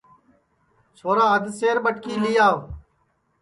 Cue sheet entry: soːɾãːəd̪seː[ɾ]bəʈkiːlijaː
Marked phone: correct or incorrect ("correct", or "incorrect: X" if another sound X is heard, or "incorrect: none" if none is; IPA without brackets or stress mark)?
correct